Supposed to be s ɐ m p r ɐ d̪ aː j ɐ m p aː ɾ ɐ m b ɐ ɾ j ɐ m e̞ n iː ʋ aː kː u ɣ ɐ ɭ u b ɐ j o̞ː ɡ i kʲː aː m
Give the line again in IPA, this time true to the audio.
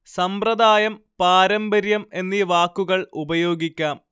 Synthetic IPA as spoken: s ɐ m p r ɐ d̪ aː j ɐ m p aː ɾ ɐ m b ɐ ɾ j ɐ m e̞ nː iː ʋ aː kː u ɣ ɐ ɭ u b ɐ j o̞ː ɡ i kʲː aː m